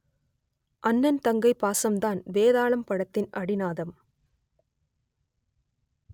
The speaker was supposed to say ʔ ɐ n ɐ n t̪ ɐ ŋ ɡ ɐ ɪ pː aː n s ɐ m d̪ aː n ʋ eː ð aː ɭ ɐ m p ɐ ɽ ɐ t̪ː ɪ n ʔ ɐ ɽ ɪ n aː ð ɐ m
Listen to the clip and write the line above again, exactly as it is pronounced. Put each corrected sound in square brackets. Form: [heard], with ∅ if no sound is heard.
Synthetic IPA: ʔ ɐ [nː] ɐ n t̪ ɐ ŋ ɡ ɐ ɪ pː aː [∅] s ɐ m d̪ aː n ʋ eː ð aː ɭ ɐ m p ɐ ɽ ɐ t̪ː ɪ n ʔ ɐ ɽ ɪ n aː ð ɐ m